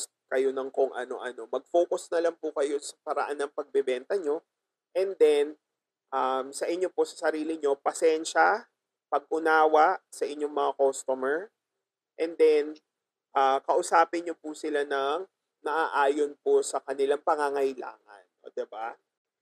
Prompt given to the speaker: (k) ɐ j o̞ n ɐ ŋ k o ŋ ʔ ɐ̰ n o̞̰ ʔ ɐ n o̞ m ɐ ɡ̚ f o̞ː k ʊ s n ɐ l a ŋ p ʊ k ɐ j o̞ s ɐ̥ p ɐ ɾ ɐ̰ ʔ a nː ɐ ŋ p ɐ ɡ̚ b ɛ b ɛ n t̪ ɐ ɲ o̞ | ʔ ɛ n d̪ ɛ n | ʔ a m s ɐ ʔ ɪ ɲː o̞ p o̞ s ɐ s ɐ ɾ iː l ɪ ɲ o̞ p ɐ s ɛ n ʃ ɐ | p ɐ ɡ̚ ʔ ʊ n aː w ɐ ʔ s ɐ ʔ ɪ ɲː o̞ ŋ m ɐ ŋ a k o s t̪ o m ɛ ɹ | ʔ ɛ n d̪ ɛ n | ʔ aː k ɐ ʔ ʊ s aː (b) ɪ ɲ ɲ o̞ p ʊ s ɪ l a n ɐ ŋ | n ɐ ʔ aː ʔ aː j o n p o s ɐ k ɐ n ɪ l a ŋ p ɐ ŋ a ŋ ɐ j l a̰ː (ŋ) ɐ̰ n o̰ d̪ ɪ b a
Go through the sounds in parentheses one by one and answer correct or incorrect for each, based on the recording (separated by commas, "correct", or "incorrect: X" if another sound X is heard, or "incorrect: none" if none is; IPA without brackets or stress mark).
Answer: correct, incorrect: p, correct